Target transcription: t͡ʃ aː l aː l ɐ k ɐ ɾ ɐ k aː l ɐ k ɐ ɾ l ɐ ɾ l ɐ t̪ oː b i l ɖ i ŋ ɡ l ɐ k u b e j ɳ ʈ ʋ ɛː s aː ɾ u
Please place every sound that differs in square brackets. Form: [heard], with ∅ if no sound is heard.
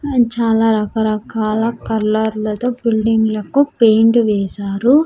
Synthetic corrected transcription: t͡ʃ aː l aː [ɾ] ɐ k ɐ ɾ ɐ k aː l ɐ k ɐ ɾ l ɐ ɾ l ɐ t̪ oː b i l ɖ i ŋ ɡ l ɐ k u [p] e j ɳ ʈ ʋ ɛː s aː ɾ u